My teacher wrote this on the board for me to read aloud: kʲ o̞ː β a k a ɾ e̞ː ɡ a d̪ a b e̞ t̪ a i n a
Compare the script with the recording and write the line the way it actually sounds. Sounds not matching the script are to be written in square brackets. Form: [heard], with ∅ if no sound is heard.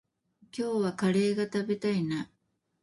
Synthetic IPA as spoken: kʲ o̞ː β a k a ɾ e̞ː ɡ a [t̪] a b e̞ t̪ a i n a

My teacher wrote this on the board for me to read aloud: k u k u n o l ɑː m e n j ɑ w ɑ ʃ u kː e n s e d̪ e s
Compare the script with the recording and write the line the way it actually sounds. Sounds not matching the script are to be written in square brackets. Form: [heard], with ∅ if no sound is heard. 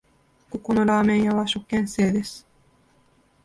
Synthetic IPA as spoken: k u k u n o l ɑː m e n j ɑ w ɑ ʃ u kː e n s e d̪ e s

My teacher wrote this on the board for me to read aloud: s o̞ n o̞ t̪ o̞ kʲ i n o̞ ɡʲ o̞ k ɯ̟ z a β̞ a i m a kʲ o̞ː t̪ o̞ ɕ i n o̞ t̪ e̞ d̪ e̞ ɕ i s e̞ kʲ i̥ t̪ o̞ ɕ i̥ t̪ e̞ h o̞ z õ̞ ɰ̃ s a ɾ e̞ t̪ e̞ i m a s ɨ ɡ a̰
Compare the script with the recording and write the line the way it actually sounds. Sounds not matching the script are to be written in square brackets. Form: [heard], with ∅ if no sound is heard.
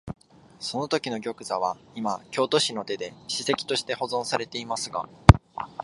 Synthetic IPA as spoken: s o̞ n o̞ t̪ o̞ kʲ i n o̞ ɡʲ o̞ k ɯ̟ z a β̞ a i m a kʲ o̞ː t̪ o̞ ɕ i n o̞ t̪ e̞ d̪ e̞ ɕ i s e̞ kʲ i̥ t̪ o̞ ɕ i̥ t̪ e̞ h o̞ z õ̞ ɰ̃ s a ɾ e̞ t̪ e̞ i m a s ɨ ɡ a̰

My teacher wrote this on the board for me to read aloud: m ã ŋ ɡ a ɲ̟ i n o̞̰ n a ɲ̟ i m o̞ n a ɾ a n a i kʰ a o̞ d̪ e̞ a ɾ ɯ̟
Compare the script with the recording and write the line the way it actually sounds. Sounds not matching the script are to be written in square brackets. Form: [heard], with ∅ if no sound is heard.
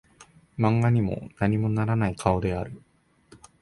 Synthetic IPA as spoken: m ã ŋ ɡ a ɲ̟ i [m] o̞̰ n a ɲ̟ i m o̞ n a ɾ a n a i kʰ a o̞ d̪ e̞ a ɾ ɯ̟

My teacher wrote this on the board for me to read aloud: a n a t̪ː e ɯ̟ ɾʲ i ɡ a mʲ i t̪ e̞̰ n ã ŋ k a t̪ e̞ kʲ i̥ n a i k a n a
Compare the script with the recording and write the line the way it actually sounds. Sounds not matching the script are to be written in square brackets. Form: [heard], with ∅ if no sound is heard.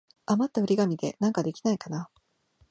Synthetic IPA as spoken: a [m] a t̪ː [a] ɯ̟ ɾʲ i ɡ a mʲ i [d̪] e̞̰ n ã ŋ k a [d̪] e̞ kʲ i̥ n a i k a n a

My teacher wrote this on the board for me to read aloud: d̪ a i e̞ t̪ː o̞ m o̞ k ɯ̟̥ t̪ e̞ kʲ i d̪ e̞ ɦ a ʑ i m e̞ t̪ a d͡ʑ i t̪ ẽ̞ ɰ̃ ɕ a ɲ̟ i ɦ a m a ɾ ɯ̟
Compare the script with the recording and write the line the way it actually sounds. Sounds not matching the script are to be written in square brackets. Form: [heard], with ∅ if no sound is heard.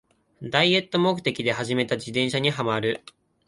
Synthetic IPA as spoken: d̪ a i e̞ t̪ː o̞ m o̞ k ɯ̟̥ t̪ e̞ kʲ i d̪ e̞ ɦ a ʑ i m e̞ t̪ a d͡ʑ i [d̪] ẽ̞ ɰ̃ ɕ a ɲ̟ i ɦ a m a ɾ ɯ̟

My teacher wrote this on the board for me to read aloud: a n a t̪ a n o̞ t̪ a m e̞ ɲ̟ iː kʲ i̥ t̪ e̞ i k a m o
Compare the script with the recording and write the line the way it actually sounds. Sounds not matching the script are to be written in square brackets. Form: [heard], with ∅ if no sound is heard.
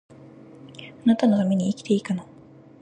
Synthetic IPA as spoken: a n a t̪ a n o̞ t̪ a m e̞ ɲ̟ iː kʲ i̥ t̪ e̞ i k a [n] o

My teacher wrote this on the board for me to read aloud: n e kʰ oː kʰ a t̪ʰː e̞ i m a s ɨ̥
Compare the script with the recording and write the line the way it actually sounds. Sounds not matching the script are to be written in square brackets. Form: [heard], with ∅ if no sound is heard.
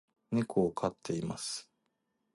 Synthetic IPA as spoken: n e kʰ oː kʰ a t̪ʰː e̞ i m a s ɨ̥

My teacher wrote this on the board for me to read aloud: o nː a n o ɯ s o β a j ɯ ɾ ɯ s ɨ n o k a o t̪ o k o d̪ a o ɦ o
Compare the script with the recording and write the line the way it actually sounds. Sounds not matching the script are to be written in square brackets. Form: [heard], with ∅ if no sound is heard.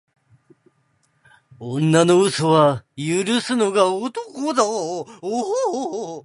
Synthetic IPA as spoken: o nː a n o ɯ s o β a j ɯ ɾ ɯ s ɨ n o [ɡ] a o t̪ o k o d̪ a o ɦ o

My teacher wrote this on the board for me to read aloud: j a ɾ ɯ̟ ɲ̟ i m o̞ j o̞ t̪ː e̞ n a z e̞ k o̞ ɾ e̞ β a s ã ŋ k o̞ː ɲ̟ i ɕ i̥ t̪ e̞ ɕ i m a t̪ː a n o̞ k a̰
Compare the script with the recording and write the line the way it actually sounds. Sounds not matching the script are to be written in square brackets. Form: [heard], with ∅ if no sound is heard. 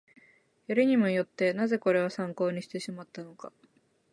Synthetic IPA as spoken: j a ɾ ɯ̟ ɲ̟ i m o̞ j o̞ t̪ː e̞ n a z e̞ k o̞ ɾ e̞ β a s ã ŋ k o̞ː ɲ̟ i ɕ i̥ t̪ e̞ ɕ i m a t̪ː a n o̞ k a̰

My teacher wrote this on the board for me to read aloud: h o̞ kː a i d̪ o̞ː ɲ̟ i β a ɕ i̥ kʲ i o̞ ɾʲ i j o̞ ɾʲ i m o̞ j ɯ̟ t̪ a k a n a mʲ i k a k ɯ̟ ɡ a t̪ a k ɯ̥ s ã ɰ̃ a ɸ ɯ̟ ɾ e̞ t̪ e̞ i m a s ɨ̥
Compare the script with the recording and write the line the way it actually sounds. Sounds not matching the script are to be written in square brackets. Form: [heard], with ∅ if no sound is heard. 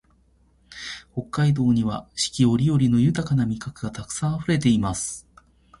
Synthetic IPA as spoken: h o̞ kː a i d̪ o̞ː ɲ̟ i β a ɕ i̥ kʲ i o̞ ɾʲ i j o̞ ɾʲ i [n] o̞ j ɯ̟ t̪ a k a n a mʲ i k a k ɯ̟ ɡ a t̪ a k ɯ̥ s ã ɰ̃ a ɸ ɯ̟ ɾ e̞ t̪ e̞ i m a s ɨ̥

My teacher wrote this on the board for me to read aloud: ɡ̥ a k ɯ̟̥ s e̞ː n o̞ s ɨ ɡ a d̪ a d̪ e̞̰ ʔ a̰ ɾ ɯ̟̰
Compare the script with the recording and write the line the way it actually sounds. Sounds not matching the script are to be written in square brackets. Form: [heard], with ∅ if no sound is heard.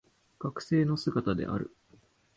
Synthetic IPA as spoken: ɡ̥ a k ɯ̟̥ s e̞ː n o̞ s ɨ ɡ a [t̪] a d̪ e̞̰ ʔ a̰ ɾ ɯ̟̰

